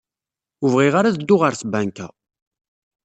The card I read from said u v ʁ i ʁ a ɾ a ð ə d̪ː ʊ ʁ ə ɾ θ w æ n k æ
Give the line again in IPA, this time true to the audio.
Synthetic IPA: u v ʁ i ʁ a ɾ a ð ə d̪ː ʊ ʁ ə ɾ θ b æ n k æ